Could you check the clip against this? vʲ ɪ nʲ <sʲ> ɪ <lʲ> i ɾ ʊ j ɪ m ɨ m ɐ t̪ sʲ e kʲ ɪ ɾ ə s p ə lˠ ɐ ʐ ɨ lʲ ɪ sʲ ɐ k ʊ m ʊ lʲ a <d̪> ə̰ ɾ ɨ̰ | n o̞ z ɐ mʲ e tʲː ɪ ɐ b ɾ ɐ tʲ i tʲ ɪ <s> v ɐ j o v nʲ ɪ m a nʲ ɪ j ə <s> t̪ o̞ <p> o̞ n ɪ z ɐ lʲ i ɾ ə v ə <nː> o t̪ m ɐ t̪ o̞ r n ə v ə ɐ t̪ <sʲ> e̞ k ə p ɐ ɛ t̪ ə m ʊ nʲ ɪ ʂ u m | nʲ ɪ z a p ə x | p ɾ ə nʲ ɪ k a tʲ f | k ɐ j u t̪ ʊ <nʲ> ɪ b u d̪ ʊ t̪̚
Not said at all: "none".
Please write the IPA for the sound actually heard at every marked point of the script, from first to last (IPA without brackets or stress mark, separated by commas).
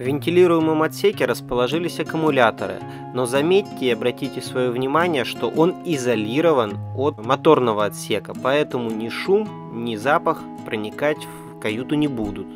tʲ, lʲ, t̪, s, ʂ, ʔ, n, sʲ, nʲ